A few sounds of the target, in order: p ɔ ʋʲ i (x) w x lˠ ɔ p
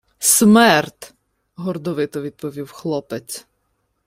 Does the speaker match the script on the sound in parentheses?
no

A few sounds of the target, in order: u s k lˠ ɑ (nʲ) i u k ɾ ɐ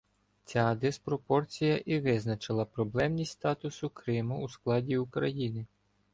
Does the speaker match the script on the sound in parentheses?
no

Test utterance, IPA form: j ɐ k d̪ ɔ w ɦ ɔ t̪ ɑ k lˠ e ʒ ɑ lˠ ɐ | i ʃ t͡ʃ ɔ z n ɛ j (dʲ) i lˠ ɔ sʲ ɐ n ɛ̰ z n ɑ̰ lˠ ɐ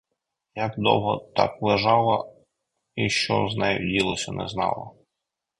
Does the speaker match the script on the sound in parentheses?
yes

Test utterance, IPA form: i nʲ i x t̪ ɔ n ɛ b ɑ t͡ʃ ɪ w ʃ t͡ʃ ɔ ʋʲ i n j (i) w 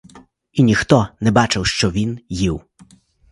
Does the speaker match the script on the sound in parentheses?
yes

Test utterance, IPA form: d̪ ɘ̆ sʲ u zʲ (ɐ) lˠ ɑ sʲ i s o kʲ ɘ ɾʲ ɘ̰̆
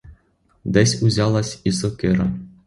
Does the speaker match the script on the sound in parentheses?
no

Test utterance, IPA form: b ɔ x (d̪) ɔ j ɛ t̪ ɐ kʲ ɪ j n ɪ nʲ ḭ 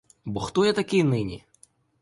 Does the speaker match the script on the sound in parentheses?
no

